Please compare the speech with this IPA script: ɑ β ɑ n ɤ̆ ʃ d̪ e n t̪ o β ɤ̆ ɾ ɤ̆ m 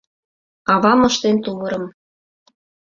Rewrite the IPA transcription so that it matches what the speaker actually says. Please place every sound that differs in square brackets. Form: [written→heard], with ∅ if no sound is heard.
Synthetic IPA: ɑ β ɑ [n→m] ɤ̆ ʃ [d̪→t̪] e n t̪ [o→u] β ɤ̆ ɾ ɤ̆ m